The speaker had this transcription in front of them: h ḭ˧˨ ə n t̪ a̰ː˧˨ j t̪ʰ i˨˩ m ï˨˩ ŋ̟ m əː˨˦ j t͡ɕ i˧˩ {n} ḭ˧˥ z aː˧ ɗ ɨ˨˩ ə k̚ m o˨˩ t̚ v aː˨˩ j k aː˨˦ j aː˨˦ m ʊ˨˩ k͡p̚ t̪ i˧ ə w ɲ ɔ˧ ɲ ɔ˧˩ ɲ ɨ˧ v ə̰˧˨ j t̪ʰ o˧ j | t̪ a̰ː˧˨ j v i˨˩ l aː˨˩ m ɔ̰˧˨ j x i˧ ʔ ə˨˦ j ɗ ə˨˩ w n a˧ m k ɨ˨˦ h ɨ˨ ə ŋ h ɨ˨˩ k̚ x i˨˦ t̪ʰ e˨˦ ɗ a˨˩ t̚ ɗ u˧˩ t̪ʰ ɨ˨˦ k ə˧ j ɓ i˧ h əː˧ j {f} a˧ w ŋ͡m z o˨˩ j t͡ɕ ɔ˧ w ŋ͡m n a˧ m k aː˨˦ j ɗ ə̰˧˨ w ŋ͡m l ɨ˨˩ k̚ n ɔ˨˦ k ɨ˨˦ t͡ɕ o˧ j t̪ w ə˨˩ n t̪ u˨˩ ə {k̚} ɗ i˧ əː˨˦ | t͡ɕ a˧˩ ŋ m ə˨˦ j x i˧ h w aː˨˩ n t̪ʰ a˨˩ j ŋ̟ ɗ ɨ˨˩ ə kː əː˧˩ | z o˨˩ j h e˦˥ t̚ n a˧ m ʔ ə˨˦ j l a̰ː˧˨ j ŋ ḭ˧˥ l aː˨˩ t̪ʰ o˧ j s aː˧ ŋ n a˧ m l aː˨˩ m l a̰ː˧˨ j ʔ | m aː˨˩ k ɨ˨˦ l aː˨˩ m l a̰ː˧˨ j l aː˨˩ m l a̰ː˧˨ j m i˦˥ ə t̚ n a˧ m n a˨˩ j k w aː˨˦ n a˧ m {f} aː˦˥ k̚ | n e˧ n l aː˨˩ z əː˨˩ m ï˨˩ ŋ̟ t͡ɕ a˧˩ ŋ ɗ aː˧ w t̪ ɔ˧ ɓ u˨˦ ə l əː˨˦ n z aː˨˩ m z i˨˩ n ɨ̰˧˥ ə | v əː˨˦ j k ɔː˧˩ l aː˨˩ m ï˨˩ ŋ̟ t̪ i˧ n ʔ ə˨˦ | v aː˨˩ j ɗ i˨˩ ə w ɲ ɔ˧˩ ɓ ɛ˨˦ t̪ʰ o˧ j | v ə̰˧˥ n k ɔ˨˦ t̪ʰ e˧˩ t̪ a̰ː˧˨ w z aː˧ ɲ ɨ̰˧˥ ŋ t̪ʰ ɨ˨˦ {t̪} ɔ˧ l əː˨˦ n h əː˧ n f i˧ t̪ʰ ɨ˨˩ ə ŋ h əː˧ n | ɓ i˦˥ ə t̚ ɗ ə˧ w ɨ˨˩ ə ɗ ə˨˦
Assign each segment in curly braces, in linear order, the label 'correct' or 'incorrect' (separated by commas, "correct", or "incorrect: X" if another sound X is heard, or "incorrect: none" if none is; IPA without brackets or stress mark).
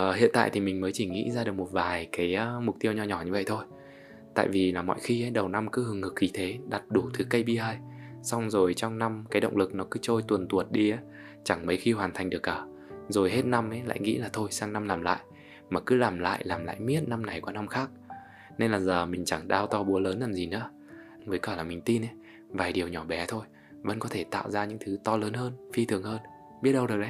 incorrect: ŋ, incorrect: s, incorrect: t̚, incorrect: x, correct